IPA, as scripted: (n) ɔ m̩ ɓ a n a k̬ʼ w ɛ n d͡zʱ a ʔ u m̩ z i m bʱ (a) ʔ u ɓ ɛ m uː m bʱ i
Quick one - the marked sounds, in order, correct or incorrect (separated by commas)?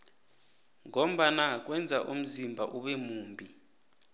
incorrect, correct